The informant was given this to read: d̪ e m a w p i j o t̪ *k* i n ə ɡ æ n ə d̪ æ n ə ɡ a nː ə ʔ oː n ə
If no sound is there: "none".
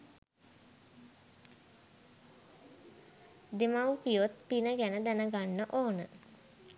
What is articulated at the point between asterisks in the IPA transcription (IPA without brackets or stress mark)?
p